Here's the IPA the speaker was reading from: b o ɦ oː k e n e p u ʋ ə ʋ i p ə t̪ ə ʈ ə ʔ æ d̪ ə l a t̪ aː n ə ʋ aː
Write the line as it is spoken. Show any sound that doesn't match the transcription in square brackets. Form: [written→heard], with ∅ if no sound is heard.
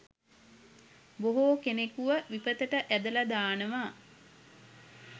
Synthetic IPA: b o ɦ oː k e n e [p→k] u ʋ ə ʋ i p ə t̪ ə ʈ ə ʔ æ d̪ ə l a [t̪→d̪] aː n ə ʋ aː